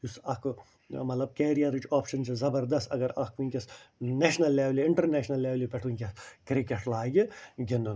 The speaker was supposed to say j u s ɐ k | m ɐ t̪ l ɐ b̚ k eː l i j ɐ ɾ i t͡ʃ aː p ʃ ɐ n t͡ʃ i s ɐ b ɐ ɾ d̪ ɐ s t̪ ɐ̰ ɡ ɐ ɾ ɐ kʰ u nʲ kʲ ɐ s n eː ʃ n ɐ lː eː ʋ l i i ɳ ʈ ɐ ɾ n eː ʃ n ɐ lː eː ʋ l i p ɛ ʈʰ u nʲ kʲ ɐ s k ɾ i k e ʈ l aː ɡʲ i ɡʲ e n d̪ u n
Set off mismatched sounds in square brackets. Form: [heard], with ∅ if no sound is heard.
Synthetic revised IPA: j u s ɐ k | m ɐ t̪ l ɐ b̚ k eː [ɾ] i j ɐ ɾ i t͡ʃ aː p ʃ ɐ n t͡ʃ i [z] ɐ b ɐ ɾ d̪ ɐ s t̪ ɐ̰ ɡ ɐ ɾ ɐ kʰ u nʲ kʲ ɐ s n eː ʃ n ɐ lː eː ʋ l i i ɳ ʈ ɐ ɾ n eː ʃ n ɐ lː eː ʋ l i p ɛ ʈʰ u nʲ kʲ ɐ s k ɾ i k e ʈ l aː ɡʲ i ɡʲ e n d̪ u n